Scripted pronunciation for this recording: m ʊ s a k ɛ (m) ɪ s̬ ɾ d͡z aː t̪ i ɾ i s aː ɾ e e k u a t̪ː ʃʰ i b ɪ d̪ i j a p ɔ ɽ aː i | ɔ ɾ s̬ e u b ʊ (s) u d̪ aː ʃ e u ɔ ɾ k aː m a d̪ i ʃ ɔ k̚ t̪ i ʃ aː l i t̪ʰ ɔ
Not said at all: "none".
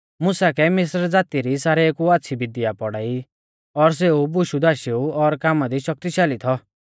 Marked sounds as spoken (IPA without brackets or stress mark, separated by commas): m, ʃ